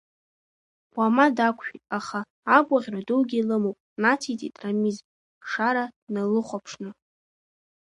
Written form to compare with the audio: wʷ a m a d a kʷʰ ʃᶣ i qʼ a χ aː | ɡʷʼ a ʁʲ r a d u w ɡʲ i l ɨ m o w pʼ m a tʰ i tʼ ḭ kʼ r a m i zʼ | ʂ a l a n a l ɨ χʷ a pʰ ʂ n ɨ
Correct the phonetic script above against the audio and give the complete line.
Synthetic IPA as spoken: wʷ a m a d a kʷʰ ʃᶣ i tʼ a χ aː | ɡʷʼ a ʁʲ r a d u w ɡʲ i l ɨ m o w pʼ n a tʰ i tʼ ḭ tʼ r a m i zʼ | ʂ a ɾ a n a l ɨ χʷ a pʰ ʂ n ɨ